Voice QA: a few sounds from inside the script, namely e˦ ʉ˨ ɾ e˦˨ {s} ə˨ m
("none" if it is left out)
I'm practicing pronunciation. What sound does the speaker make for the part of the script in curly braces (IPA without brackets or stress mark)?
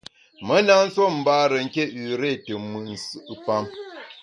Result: t